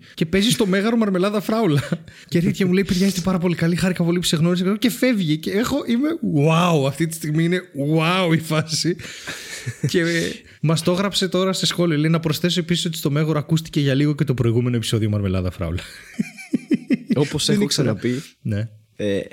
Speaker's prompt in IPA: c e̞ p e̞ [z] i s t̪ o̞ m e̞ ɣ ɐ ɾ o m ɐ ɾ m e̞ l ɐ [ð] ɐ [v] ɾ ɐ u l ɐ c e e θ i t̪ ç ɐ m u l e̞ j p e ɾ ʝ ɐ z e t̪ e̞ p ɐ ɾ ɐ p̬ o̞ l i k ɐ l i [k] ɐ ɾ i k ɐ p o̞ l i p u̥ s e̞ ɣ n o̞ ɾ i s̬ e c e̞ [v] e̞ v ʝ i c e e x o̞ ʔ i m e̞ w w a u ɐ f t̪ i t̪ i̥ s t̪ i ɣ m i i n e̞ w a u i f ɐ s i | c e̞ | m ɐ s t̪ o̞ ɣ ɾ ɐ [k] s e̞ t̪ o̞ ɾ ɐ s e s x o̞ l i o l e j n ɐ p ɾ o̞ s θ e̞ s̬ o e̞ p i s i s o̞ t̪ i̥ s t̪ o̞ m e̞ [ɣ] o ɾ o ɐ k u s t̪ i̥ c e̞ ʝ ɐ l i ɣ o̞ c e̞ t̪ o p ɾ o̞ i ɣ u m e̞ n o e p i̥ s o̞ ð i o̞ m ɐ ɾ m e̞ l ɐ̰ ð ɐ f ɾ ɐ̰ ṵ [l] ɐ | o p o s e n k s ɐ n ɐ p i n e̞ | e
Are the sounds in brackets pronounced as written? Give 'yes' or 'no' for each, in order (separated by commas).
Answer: yes, yes, no, no, no, no, yes, yes